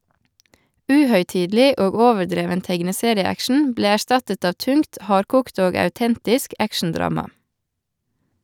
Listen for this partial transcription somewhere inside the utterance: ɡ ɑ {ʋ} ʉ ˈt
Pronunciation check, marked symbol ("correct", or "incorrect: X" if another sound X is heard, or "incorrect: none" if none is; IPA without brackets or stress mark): incorrect: none